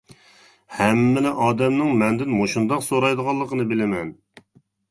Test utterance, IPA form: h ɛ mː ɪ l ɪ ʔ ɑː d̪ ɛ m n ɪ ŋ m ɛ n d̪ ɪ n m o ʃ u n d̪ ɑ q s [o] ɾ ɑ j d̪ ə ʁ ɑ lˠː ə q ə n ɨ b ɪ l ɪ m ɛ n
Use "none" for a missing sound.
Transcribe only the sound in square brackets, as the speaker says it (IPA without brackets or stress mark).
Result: o